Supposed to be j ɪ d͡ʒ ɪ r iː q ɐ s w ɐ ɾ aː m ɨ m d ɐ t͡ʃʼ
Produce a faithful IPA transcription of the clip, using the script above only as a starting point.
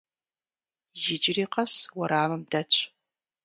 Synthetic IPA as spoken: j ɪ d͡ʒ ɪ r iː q ɐ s w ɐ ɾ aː m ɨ m d ɐ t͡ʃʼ